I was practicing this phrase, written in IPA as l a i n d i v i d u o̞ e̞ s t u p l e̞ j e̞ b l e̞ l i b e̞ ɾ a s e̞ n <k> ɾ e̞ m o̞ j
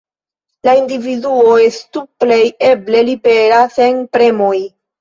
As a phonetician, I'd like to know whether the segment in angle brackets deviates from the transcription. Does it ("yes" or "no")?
yes